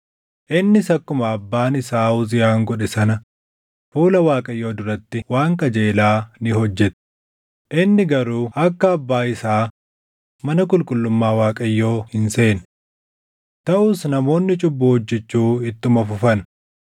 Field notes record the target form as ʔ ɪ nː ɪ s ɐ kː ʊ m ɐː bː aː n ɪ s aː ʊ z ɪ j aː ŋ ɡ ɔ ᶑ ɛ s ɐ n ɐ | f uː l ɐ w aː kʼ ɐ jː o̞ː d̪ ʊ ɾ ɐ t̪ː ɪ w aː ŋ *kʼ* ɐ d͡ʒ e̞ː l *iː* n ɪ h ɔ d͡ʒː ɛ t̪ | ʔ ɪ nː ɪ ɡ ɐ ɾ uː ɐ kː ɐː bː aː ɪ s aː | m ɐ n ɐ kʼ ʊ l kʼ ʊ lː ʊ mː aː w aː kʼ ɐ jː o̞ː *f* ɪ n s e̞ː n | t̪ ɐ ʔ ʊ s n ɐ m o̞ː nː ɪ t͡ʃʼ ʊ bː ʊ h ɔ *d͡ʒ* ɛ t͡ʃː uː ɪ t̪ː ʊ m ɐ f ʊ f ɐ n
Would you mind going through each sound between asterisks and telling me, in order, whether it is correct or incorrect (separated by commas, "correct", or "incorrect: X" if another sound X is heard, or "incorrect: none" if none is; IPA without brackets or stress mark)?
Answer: incorrect: k, incorrect: aː, incorrect: h, incorrect: d͡ʒː